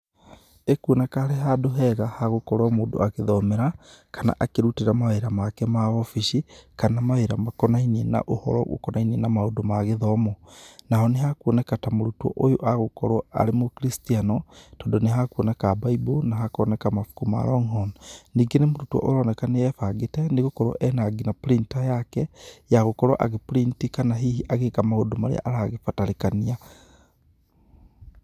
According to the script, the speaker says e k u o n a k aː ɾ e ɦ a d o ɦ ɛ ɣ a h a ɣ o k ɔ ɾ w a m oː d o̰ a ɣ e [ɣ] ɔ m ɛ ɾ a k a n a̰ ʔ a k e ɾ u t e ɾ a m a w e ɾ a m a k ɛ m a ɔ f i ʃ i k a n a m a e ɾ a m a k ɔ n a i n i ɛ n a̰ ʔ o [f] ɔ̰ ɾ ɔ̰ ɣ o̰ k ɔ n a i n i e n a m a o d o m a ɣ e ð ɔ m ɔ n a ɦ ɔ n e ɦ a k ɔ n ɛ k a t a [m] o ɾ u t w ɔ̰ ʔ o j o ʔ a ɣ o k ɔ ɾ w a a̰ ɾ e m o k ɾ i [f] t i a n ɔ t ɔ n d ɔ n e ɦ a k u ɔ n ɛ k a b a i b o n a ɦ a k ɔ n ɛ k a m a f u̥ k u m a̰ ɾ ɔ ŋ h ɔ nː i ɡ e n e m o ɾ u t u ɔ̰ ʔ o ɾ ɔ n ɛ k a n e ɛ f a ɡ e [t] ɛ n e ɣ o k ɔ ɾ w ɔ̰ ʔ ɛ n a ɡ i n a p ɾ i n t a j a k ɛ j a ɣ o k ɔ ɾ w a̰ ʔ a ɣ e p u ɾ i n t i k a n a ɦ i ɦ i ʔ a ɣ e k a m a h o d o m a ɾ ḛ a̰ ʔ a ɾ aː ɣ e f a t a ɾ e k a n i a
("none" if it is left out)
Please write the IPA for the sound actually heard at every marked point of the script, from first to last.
ð, h, m, s, t

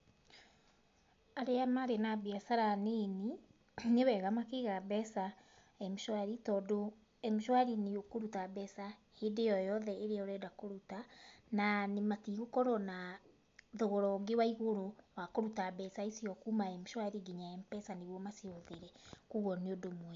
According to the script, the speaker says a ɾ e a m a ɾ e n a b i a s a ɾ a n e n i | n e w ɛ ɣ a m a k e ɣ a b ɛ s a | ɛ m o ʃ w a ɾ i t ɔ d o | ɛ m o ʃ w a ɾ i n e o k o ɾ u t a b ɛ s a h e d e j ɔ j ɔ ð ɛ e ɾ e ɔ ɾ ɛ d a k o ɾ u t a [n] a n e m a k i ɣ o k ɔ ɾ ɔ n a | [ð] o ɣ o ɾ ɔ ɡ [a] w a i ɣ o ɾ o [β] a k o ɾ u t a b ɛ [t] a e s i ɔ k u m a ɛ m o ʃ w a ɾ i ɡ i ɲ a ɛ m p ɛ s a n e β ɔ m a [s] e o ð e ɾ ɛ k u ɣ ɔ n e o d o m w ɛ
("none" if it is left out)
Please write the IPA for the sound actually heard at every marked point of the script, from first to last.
n, ð, e, w, s, s

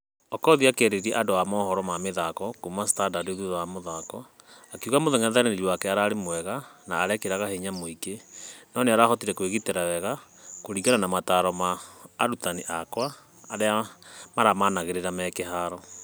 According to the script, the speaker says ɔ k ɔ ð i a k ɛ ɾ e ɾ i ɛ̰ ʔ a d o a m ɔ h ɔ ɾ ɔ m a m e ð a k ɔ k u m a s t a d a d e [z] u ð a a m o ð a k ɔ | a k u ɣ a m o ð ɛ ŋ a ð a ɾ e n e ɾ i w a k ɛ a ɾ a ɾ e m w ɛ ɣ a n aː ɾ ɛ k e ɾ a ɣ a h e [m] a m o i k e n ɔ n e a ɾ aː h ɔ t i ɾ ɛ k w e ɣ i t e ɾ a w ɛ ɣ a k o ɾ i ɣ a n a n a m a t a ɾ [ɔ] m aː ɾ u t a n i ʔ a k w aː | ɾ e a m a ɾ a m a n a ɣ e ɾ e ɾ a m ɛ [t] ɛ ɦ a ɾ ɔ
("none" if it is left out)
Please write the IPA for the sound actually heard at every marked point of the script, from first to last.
ð, ɲ, ɔ, k

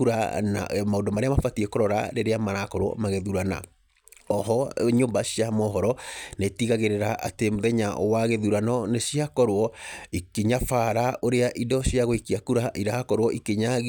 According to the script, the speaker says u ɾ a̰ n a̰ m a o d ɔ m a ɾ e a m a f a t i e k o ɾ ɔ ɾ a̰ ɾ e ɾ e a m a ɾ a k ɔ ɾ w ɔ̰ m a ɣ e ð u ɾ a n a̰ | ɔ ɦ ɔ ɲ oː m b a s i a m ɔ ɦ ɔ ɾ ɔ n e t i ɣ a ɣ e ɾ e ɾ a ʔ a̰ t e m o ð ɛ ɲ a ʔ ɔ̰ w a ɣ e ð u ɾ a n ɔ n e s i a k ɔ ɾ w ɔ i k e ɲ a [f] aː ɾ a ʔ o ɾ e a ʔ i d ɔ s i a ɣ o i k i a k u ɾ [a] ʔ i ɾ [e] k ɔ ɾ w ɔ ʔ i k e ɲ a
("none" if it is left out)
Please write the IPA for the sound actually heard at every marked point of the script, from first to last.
f, a, a

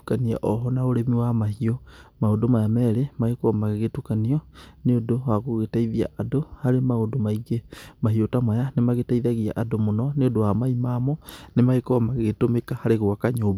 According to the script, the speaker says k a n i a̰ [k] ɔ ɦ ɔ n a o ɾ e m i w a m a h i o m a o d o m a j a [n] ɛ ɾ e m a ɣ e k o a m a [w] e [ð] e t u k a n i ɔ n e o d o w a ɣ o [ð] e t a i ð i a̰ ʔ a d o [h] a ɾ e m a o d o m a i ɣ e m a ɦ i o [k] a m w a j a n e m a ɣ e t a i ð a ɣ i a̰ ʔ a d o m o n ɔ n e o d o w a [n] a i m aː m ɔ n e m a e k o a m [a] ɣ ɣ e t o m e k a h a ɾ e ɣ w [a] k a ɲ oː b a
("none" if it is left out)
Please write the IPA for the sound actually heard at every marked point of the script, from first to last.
ʔ, m, ɣ, ɣ, ɣ, h, t, m, a, a

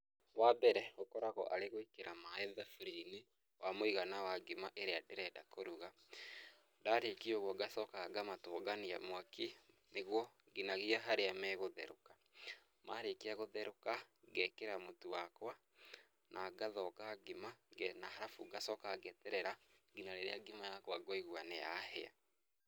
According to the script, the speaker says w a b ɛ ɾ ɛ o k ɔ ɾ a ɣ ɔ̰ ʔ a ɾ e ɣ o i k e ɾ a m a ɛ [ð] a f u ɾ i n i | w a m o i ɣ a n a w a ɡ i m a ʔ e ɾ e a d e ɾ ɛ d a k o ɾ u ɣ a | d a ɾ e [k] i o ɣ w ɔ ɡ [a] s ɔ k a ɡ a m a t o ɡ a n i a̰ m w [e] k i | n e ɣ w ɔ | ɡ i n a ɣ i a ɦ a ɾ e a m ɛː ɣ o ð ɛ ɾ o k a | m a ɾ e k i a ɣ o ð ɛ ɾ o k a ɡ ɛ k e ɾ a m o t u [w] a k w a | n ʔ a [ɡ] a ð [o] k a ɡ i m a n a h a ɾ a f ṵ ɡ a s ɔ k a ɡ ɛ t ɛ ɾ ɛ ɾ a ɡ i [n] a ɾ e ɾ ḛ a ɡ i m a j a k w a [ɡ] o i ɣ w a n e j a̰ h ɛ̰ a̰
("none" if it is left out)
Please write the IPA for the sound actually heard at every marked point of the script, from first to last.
ð, k, a, a, w, ɡ, ɔ, n, ɡ

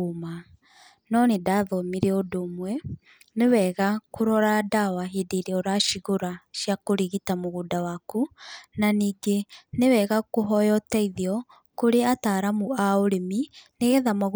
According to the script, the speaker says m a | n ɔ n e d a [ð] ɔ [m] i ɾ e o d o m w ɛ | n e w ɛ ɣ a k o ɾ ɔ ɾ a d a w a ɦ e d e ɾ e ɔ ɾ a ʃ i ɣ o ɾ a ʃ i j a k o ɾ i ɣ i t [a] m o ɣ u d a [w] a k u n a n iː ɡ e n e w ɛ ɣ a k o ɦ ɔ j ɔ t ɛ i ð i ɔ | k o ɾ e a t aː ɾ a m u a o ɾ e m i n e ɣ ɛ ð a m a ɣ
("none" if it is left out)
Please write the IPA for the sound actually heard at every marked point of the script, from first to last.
ð, m, a, w

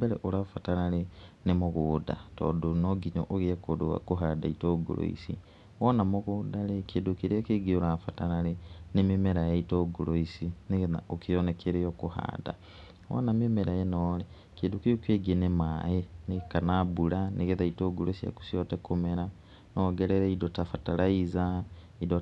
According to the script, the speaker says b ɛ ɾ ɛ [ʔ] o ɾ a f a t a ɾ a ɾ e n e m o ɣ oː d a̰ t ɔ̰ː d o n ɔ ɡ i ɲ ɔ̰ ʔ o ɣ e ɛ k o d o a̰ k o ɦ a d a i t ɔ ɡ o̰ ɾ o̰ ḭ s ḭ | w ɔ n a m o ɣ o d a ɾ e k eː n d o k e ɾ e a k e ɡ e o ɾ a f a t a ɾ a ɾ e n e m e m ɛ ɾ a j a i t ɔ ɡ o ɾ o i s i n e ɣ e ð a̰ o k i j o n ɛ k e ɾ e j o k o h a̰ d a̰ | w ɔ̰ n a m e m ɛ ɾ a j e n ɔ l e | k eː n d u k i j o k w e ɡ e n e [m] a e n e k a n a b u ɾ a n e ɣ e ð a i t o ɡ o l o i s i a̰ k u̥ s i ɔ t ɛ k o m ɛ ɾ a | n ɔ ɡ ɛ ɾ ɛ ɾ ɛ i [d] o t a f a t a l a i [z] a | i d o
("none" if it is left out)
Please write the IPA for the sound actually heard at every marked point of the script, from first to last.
ʔ, m, d, z

